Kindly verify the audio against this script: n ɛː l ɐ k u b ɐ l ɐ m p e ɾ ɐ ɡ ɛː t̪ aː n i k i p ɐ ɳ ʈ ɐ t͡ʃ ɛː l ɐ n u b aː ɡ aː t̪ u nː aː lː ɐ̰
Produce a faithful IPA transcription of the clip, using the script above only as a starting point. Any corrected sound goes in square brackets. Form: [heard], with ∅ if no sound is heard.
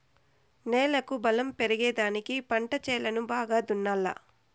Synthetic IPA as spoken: n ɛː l ɐ k u b ɐ l ɐ m p e ɾ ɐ ɡ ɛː [d̪] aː n i k i p ɐ ɳ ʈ ɐ t͡ʃ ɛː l ɐ n u b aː ɡ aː [d̪] u nː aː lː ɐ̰